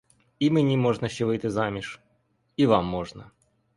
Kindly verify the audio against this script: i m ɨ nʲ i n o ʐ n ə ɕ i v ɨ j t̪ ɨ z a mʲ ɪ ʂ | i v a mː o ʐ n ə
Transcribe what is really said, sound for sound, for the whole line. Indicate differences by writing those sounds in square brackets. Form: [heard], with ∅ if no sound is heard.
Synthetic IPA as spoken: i m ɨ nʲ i [m] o ʐ n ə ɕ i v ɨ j t̪ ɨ z a mʲ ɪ ʂ | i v a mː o ʐ n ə

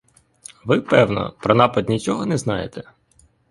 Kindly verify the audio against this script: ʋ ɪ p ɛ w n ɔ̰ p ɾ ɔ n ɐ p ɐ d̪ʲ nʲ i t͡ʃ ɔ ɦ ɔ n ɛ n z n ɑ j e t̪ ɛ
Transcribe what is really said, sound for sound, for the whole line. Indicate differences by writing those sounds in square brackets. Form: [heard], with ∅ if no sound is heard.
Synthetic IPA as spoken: ʋ ɪ p ɛ w n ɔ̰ p ɾ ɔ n [ɑ] p ɐ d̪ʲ nʲ i t͡ʃ ɔ ɦ ɔ n ɛ [∅] z n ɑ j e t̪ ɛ

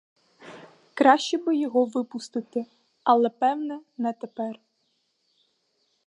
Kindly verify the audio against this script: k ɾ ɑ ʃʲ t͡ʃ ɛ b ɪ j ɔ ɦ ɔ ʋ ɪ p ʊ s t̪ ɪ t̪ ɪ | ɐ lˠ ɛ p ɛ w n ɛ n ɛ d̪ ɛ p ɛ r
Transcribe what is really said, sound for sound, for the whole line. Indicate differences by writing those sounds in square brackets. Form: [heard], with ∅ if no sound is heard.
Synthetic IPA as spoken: k ɾ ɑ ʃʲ t͡ʃ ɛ b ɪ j ɔ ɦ ɔ ʋ ɪ p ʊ s t̪ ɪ t̪ ɪ | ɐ lˠ ɛ p ɛ w n ɛ n ɛ [t̪] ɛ p ɛ r

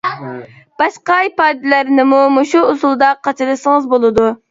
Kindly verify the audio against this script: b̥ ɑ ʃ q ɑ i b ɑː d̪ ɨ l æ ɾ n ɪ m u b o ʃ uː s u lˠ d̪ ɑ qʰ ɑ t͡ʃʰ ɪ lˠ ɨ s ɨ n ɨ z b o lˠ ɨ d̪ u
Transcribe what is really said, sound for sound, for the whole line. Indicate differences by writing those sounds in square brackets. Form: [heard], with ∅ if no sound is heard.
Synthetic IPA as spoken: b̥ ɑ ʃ q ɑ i [p] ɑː d̪ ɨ l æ ɾ n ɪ m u [m] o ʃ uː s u lˠ d̪ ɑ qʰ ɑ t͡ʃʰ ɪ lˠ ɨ s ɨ [ŋ] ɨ z b o lˠ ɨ d̪ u

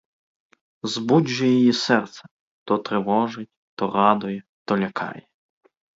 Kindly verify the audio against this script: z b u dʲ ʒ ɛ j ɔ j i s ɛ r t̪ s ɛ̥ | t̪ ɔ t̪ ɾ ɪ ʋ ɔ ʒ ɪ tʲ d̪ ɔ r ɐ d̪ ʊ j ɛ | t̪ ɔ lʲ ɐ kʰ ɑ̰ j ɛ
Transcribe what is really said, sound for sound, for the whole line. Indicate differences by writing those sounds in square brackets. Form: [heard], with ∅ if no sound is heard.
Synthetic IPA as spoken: z b u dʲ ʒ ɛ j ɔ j i s ɛ r t̪ s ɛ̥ | t̪ ɔ t̪ ɾ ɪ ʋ ɔ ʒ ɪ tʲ [t̪] ɔ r [ɑ] d̪ ʊ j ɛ | t̪ ɔ lʲ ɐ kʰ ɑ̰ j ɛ

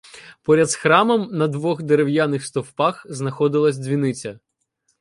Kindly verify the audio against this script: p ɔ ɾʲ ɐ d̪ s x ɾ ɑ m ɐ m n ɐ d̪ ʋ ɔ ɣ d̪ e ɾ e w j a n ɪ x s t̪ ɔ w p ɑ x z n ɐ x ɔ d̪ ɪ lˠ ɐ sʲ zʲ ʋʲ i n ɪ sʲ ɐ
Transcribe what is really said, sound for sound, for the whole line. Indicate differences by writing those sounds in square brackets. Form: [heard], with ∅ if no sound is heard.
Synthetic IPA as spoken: p ɔ ɾʲ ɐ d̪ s x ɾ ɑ m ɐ m n ɐ d̪ ʋ ɔ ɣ d̪ e ɾ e w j a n ɪ x s t̪ ɔ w p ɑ x z n ɐ x ɔ d̪ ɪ lˠ ɐ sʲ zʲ ʋʲ i n ɪ [t͡sʲ] ɐ

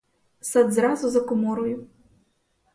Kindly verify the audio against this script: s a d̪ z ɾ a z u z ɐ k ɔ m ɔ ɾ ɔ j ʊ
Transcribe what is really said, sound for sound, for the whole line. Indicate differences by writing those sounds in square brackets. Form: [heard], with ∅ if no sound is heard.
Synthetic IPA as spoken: s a d̪ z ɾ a z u z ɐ k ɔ m ɔ ɾ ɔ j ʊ

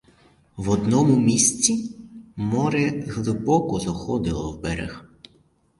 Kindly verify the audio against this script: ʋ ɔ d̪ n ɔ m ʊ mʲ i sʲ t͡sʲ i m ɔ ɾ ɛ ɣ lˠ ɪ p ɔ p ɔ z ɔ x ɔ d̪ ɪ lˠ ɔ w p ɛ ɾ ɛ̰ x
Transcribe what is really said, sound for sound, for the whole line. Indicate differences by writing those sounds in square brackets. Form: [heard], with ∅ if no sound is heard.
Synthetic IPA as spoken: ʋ ɔ d̪ n ɔ m ʊ mʲ i sʲ t͡sʲ i m ɔ ɾ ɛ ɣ lˠ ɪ [b] ɔ [k] ɔ z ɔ x ɔ d̪ ɪ lˠ ɔ w [b] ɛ ɾ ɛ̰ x

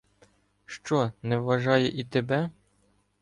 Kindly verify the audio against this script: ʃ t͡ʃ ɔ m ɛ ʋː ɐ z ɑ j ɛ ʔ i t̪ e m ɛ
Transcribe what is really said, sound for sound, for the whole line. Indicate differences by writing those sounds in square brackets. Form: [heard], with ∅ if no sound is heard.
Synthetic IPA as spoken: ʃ t͡ʃ ɔ [n] ɛ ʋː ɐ [ʒ] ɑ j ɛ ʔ i t̪ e [b] ɛ

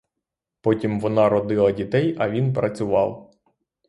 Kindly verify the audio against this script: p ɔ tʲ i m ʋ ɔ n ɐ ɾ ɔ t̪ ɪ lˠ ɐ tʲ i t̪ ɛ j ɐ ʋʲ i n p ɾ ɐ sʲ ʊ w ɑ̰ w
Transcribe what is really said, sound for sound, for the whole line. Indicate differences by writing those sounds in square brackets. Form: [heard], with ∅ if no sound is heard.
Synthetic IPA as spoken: p ɔ tʲ i m ʋ ɔ n [ɑ] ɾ ɔ [d̪] ɪ lˠ ɐ [dʲ] i t̪ ɛ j ɐ ʋʲ i n p ɾ ɐ [t͡sʲ] ʊ [ʋ] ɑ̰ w

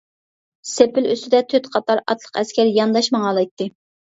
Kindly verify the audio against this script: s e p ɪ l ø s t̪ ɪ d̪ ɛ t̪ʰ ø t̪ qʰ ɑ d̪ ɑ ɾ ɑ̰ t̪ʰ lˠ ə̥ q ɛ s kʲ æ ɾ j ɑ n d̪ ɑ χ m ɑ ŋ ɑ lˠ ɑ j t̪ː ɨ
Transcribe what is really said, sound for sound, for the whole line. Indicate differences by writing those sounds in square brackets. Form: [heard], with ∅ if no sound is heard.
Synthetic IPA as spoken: s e p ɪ l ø s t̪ ɪ d̪ ɛ t̪ʰ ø t̪ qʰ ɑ [t̪] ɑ ɾ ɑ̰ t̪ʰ lˠ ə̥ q ɛ s kʲ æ ɾ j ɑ n d̪ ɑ [ʃ] m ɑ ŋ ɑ lˠ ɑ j t̪ː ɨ

